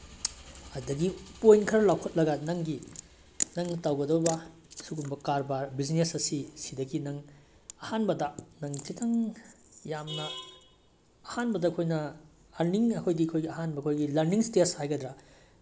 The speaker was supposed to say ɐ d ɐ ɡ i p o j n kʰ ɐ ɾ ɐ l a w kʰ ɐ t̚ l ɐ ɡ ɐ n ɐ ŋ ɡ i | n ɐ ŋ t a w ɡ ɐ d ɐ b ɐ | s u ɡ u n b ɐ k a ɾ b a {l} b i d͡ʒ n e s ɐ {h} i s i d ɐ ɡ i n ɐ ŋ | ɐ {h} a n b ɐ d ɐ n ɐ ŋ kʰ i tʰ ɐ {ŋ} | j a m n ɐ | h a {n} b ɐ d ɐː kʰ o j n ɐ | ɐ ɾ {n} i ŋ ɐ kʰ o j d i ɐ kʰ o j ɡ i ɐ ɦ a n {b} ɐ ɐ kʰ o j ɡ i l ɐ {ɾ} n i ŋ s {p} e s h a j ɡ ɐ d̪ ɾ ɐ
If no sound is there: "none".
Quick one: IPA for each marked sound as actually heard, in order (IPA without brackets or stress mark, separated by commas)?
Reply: ɾ, s, h, ŋ, n, n, b, ɾ, t